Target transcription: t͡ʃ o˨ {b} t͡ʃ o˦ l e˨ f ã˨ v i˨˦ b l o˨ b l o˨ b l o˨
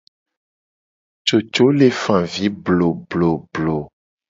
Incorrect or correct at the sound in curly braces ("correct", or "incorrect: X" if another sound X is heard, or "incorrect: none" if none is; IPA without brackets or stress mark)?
incorrect: none